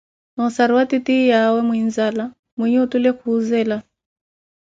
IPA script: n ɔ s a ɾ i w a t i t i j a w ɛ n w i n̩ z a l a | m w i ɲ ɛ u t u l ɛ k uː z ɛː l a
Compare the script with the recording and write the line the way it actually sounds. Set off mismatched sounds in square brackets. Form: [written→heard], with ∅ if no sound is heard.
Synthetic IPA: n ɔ s a ɾ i w a t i t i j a w ɛ [n→m] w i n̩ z a l a | m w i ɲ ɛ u t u l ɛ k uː z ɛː l a

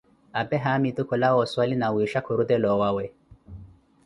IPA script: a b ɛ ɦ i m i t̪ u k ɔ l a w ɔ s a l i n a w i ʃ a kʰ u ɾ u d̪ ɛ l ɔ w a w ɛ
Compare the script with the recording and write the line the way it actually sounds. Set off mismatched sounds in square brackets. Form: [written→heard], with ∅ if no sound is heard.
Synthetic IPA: a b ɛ ɦ [i→a] m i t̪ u k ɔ l a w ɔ s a l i n a w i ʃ a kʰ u ɾ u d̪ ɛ l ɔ w a w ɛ

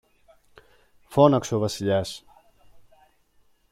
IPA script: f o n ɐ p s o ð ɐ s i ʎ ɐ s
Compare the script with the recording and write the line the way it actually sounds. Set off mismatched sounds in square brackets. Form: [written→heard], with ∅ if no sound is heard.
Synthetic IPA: f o n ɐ [p→k] s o [ð→v] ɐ s i ʎ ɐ s

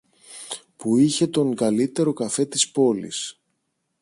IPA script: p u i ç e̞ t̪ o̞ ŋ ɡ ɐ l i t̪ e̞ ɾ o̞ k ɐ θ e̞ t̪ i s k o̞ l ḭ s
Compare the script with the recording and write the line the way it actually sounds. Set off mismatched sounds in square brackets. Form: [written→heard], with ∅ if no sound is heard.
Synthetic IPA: p u i ç e̞ t̪ o̞ ŋ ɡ ɐ l i t̪ e̞ ɾ o̞ k ɐ [θ→f] e̞ t̪ i s [k→p] o̞ l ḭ s

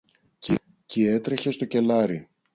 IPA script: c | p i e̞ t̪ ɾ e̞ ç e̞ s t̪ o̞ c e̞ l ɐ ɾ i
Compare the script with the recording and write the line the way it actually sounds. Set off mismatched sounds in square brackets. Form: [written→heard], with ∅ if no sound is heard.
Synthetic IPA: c | [p→c] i e̞ t̪ ɾ e̞ ç e̞ s t̪ o̞ c e̞ l ɐ ɾ i

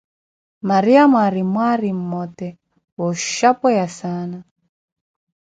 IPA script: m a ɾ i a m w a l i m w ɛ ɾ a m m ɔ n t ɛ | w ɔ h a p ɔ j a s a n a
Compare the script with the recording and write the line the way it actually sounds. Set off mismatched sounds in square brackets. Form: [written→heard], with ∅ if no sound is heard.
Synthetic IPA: m a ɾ i a m w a [l→ɾ] i m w [ɛ→a] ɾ [a→i] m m ɔ [n→∅] t ɛ | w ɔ [h→ʃ] a p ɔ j a s a n a

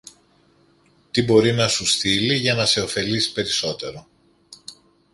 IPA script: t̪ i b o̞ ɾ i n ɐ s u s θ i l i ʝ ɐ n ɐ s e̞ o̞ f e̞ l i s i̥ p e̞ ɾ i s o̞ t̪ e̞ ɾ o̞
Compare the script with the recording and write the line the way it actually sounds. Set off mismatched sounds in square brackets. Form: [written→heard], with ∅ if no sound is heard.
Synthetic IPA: t̪ i b o̞ ɾ i n ɐ s u s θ i l i ʝ ɐ n ɐ s e̞ o̞ f e̞ l i s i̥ p e̞ ɾ i s o̞ t̪ e̞ ɾ o̞

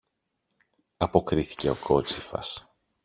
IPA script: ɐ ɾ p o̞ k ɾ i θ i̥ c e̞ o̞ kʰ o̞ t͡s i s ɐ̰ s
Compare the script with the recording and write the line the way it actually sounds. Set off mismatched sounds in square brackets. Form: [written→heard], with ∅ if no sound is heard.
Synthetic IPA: ɐ [ɾ→∅] p o̞ k ɾ i θ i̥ c e̞ o̞ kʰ o̞ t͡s i [s→f] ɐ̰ s

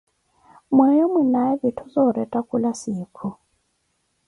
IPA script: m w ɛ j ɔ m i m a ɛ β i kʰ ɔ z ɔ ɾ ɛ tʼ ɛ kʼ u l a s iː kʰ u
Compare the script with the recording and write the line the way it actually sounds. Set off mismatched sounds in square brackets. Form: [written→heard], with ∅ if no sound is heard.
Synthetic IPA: m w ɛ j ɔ m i [m→n] a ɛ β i [kʰ→tʰ] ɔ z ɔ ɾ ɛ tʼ [ɛ→a] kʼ u l a s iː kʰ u

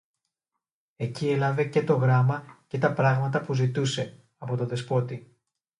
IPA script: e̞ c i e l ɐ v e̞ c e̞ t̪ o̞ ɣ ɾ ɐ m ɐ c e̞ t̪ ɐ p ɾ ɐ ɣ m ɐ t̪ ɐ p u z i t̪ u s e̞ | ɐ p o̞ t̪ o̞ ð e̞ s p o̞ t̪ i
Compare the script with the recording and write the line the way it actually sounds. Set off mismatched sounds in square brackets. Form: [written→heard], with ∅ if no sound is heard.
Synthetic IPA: e̞ c i e l ɐ v e̞ c e̞ t̪ o̞ ɣ ɾ ɐ m ɐ c e̞ t̪ ɐ p ɾ ɐ ɣ m ɐ t̪ ɐ p u z i t̪ u s e̞ | ɐ p o̞ t̪ o̞ ð e̞ s p o̞ t̪ i

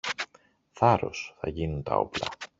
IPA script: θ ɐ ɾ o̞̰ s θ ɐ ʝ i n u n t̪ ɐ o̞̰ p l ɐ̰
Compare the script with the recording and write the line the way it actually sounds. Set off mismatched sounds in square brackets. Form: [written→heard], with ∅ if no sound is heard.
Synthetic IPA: θ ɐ ɾ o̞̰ s θ ɐ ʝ i n u n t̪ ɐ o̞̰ p l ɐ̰

